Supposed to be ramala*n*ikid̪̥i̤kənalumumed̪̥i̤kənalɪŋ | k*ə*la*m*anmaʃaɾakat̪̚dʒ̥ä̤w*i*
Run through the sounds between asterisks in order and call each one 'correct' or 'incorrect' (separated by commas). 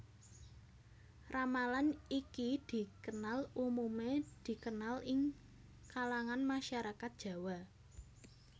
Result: correct, incorrect, incorrect, incorrect